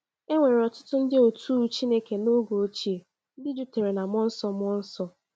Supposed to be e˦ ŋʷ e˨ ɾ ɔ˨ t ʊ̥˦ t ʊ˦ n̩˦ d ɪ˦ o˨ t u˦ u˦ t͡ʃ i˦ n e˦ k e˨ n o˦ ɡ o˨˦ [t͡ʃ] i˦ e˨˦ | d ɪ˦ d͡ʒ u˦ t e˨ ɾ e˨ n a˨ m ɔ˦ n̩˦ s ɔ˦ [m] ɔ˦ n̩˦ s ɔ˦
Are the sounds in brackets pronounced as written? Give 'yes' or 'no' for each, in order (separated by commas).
yes, yes